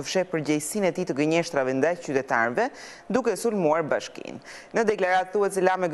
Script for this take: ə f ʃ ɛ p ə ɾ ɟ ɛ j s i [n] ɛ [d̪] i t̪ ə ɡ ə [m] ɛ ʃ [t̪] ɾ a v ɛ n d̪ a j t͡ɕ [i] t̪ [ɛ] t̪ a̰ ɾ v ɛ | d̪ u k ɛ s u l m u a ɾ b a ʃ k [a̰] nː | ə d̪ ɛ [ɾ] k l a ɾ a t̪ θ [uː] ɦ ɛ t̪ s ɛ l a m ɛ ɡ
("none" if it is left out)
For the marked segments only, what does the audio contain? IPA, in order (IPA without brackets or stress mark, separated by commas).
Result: n, t̪, ɲ, t̪, y, ɛ, ḭ, none, u